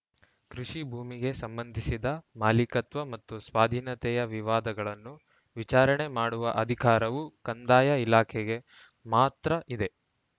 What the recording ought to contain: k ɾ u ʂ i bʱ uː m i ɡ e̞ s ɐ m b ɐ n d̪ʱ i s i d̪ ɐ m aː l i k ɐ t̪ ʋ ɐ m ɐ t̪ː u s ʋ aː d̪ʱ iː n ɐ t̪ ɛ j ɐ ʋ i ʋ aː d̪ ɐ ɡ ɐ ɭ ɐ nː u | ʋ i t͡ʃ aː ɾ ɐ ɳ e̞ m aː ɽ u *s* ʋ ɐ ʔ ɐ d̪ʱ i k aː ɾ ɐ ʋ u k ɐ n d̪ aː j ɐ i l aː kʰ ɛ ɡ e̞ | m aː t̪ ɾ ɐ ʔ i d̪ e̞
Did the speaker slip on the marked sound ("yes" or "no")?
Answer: yes